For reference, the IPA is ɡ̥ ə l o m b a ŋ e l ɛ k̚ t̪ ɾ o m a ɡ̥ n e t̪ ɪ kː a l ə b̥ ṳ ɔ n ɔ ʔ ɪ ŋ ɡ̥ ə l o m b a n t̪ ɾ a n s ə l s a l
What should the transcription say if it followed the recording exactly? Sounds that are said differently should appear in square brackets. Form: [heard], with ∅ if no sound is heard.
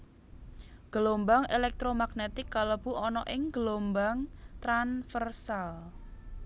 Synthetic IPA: ɡ̥ ə l o m b a ŋ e l ɛ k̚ t̪ ɾ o m a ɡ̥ n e t̪ ɪ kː a l ə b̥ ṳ ɔ n ɔ ʔ ɪ ŋ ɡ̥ ə l o m b a [ŋ] t̪ ɾ a n [f] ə [r] s a l